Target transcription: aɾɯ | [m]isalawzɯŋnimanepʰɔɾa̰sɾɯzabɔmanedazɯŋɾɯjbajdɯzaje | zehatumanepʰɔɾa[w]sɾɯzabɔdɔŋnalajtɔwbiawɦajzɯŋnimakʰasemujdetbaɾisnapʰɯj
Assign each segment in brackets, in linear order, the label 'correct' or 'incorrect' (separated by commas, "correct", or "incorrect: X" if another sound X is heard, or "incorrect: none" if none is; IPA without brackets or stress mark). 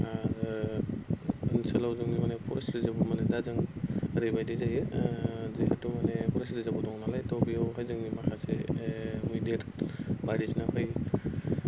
incorrect: n, incorrect: none